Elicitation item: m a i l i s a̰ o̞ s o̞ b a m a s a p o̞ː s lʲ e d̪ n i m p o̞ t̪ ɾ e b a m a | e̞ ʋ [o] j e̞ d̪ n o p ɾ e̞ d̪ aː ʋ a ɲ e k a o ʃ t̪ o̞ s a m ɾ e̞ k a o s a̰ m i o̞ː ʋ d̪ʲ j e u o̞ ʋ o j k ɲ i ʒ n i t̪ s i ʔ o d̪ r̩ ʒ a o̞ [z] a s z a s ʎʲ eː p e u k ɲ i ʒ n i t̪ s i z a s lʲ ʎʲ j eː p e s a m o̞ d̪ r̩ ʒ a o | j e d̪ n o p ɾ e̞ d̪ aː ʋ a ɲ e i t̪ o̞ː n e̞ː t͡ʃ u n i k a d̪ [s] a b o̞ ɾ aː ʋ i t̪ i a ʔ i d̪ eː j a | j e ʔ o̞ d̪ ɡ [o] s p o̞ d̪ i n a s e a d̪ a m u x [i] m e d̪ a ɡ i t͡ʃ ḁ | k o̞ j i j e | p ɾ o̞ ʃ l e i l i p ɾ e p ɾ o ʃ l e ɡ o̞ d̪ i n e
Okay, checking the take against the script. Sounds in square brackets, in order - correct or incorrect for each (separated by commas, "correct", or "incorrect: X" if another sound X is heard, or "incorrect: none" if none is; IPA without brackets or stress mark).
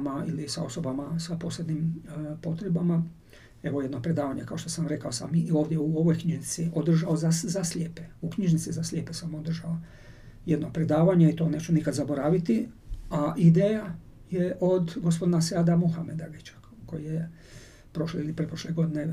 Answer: correct, correct, incorrect: z, correct, incorrect: a